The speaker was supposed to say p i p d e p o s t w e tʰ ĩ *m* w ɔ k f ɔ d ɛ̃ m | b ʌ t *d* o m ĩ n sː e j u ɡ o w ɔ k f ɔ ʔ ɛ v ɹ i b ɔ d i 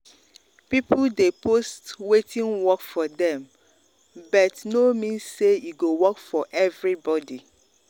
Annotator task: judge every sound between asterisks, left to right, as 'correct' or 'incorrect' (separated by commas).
incorrect, incorrect